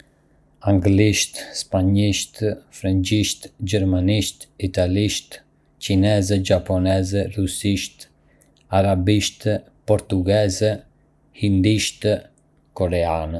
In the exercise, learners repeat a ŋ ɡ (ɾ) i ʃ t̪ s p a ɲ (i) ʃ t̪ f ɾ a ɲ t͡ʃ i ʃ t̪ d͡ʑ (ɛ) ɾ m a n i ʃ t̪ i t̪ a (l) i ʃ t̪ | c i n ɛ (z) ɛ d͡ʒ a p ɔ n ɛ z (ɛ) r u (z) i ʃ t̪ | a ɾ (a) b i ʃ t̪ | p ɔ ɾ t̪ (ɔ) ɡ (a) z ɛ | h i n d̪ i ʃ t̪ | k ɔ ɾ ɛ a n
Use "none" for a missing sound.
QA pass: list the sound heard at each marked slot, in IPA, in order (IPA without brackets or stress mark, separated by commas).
l, i, ɛ, l, z, ɛ, s, a, u, ɛ